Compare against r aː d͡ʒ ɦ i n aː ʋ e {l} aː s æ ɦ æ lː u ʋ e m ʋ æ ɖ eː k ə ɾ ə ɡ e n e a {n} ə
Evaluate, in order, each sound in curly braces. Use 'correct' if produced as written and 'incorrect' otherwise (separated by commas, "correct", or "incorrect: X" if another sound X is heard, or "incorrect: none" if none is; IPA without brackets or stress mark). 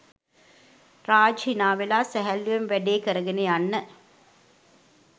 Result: correct, incorrect: nː